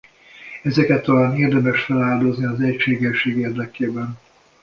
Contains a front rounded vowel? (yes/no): no